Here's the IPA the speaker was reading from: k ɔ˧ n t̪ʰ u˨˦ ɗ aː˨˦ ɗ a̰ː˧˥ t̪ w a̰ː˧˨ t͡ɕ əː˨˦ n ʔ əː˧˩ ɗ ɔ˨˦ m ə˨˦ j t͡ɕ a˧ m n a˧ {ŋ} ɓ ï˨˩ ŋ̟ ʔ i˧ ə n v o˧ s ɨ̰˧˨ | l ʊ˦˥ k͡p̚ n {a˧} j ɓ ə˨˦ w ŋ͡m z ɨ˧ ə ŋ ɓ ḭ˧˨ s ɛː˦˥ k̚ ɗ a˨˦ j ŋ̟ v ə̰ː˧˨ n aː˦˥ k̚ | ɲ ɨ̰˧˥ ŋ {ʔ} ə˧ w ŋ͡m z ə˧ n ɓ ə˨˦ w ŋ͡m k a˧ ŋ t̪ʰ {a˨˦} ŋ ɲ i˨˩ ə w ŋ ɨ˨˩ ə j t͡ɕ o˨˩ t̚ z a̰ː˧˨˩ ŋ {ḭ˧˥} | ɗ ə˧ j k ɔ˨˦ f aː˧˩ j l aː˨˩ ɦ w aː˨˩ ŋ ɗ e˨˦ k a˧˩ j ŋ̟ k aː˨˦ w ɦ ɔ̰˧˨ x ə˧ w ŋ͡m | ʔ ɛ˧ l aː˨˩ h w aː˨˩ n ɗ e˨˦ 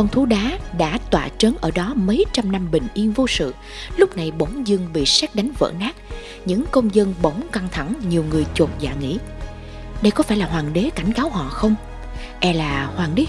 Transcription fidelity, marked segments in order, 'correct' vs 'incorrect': incorrect: m, incorrect: a˨˩, incorrect: k, incorrect: a˧˩, correct

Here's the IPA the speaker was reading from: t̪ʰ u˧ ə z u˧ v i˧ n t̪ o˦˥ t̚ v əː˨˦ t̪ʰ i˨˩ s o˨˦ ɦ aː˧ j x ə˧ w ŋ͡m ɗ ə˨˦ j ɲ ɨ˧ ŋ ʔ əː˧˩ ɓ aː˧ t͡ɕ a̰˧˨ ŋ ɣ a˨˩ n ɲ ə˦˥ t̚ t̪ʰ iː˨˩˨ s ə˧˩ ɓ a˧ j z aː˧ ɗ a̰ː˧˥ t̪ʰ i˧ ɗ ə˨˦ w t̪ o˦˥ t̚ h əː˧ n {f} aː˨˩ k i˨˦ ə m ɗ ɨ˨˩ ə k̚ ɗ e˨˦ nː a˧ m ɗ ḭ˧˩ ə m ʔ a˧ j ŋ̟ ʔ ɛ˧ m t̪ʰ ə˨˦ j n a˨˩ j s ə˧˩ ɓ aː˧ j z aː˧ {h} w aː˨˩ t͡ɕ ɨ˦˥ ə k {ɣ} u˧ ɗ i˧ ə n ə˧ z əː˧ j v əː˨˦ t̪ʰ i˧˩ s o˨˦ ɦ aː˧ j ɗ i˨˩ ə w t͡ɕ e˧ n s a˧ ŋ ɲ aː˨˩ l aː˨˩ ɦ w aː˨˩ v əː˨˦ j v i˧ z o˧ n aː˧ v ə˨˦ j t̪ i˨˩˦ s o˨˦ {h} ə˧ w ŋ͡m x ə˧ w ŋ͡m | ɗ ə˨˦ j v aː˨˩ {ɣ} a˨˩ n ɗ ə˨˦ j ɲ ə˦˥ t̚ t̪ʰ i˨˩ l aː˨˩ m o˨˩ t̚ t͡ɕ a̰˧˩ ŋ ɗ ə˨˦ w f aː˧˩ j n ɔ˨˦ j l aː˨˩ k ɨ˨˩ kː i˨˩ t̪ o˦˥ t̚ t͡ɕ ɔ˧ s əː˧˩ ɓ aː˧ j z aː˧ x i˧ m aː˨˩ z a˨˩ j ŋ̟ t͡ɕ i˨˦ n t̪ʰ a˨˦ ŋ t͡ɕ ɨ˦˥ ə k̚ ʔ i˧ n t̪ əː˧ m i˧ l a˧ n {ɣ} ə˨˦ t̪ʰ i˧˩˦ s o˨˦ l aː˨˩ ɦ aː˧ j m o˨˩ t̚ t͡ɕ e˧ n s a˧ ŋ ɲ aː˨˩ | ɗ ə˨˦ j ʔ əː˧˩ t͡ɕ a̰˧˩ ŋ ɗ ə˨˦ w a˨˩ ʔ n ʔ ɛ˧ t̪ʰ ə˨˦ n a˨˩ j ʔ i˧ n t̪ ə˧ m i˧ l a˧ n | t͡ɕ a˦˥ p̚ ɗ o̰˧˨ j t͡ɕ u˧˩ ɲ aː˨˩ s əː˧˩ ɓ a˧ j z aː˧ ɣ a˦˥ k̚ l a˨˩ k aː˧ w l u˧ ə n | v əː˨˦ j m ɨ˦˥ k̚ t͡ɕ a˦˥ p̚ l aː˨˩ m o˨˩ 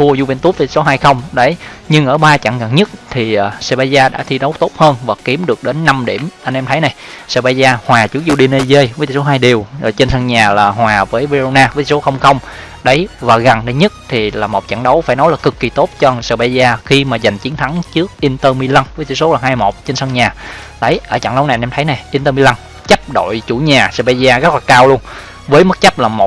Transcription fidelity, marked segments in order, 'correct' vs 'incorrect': incorrect: v, correct, incorrect: z, incorrect: x, correct, incorrect: v

